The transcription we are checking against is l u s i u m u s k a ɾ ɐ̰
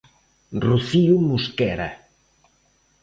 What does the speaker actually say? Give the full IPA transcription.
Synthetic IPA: r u θ i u m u s k ɛ ɾ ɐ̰